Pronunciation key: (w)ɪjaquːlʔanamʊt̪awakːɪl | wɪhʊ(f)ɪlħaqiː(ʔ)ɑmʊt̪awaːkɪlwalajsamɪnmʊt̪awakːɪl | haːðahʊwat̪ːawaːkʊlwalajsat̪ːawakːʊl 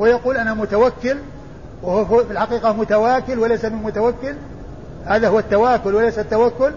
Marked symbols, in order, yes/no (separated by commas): yes, yes, no